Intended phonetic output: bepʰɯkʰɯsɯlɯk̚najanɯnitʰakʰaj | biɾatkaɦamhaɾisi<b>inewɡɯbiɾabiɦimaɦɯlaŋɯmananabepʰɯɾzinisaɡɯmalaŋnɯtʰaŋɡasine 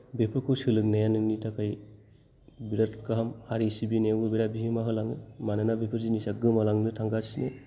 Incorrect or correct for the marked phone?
correct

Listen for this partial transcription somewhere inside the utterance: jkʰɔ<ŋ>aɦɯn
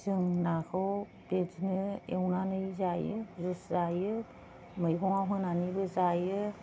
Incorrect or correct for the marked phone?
correct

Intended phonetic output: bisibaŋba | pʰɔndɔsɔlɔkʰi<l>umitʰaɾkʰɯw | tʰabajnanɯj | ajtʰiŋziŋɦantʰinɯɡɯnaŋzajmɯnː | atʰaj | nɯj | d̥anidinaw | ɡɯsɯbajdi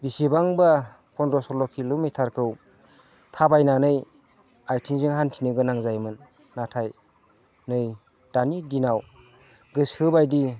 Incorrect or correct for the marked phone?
correct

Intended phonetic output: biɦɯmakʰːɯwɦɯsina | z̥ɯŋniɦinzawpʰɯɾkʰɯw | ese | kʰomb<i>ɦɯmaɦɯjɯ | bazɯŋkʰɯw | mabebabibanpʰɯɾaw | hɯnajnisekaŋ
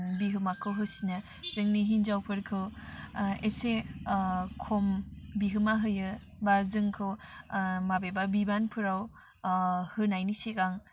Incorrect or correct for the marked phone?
correct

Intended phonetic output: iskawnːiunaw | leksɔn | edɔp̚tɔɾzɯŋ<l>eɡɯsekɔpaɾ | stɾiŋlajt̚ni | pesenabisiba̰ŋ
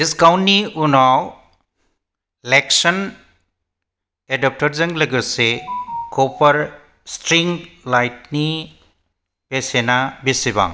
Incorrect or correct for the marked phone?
correct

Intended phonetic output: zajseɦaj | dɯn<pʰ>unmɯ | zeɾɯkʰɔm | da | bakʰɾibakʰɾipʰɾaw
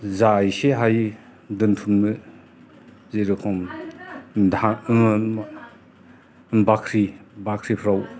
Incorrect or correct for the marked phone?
incorrect: tʰ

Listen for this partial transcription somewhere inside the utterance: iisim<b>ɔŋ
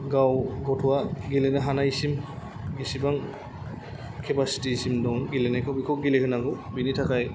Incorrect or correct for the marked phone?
incorrect: d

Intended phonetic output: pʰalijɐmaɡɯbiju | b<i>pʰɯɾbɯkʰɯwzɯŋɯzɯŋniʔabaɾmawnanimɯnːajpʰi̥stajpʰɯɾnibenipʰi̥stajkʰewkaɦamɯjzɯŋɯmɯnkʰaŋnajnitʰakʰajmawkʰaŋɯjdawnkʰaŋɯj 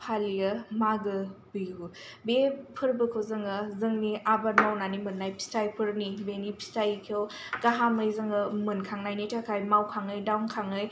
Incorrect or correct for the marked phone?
incorrect: e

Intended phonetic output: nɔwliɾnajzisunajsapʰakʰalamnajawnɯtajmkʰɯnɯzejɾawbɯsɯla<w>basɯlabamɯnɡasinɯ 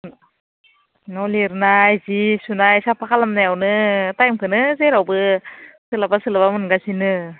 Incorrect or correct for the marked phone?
incorrect: none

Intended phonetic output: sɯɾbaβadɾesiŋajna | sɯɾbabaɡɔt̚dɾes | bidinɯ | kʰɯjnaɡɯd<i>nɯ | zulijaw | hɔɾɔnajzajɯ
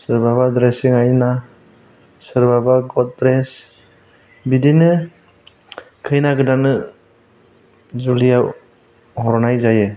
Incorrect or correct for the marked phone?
incorrect: a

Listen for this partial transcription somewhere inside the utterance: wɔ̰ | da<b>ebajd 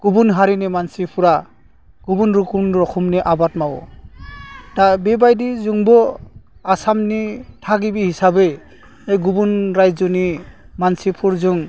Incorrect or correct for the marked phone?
correct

